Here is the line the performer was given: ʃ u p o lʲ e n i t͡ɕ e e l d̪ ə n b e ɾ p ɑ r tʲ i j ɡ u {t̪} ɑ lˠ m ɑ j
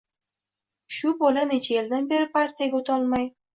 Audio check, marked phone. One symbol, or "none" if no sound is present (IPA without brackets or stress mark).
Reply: t̪